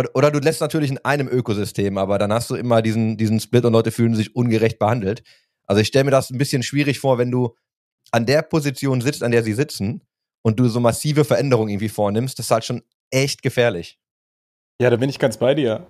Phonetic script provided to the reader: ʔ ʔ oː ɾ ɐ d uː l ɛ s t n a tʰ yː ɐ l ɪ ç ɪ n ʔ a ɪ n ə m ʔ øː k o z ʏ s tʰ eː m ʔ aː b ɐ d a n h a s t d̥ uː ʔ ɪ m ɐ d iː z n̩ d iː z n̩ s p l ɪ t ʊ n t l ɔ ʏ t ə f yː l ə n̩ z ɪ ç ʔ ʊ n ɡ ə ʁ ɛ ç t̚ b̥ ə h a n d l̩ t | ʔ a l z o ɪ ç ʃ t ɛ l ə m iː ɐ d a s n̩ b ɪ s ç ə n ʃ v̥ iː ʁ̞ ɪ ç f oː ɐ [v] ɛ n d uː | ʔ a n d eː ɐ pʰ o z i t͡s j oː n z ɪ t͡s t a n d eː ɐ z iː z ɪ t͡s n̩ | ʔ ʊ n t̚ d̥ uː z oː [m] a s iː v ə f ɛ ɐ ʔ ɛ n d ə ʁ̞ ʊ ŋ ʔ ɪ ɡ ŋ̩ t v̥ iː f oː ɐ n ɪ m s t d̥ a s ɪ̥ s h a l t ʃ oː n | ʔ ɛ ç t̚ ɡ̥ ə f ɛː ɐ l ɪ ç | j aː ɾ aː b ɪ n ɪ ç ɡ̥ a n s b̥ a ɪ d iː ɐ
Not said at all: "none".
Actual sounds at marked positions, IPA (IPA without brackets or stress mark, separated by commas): v, m